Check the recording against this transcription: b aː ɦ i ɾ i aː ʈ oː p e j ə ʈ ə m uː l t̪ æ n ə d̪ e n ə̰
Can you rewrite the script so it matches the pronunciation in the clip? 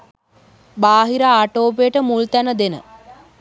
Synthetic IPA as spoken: b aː ɦ i ɾ a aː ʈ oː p e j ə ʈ ə m u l t̪ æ n ə d̪ e n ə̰